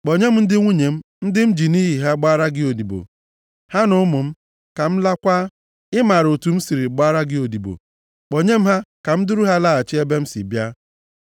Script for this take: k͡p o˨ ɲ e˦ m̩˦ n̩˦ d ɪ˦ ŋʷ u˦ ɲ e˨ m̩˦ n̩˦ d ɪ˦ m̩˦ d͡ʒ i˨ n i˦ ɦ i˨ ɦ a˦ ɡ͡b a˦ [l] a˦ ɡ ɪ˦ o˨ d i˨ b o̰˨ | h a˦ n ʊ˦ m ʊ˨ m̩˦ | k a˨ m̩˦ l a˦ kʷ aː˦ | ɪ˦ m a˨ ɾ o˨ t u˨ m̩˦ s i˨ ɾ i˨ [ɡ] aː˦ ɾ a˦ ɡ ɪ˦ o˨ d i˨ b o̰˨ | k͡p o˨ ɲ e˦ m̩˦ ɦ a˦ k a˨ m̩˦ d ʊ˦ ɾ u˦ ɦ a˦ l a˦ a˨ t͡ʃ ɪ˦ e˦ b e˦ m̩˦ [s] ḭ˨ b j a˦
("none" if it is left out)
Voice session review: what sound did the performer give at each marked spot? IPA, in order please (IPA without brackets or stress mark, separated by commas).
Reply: ɾ, ɡ͡b, s